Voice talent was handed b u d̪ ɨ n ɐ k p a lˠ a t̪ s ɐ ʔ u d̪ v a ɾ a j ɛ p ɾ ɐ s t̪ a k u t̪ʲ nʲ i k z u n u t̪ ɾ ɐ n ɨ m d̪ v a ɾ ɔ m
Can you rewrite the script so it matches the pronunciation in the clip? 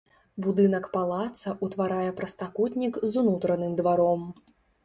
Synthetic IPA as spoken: b u d̪ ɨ n ɐ k p a lˠ a t̪ s ɐ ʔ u t̪ v a ɾ a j ɛ p ɾ ɐ s t̪ a k u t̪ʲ nʲ i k z u n u t̪ ɾ ɐ n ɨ m d̪ v a ɾ ɔ m